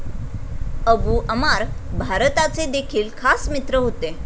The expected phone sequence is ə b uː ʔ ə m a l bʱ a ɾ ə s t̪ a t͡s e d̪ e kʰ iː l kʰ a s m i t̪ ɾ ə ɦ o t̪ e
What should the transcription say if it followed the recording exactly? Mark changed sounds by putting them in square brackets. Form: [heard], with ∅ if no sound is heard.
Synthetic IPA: ə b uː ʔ ə m a [ɾ] bʱ a ɾ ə [∅] t̪ a t͡s e d̪ e kʰ iː l kʰ a s m i t̪ ɾ ə ɦ o t̪ e